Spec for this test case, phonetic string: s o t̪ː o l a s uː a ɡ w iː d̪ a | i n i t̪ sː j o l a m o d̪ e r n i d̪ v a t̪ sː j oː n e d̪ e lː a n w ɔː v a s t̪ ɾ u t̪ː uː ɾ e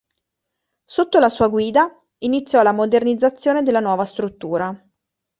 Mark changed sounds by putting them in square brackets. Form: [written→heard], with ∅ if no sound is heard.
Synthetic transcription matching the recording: s o t̪ː o l a s uː a ɡ w iː d̪ a | i n i t̪ sː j [o→ɔ] l a m o d̪ e r n i d̪ [v→z] a t̪ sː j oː n e d̪ e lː a n w ɔː v a s t̪ ɾ u t̪ː uː ɾ [e→a]